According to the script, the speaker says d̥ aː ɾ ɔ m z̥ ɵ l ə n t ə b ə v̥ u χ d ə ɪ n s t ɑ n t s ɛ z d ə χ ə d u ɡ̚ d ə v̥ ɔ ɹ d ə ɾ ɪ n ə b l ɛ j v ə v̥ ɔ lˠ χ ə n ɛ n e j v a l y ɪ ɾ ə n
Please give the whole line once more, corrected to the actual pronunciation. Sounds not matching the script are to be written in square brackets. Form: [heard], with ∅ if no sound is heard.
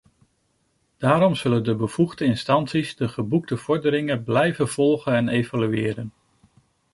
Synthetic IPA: d̥ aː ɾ ɔ m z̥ ɵ l ə n [d] ə b ə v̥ u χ d ə ɪ n s t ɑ n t s [i] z d ə χ ə [b] u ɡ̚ d ə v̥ ɔ ɹ d ə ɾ ɪ [ŋ] ə b l ɛ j v ə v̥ ɔ lˠ χ ə n ɛ n e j v a l y [ɪː] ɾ ə n